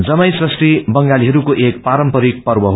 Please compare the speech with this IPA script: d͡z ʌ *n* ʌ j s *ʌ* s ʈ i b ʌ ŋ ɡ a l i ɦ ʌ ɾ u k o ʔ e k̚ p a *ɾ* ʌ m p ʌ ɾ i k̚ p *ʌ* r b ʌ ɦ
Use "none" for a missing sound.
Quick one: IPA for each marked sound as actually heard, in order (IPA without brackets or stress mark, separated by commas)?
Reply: m, ʌ, ɾ, ʌ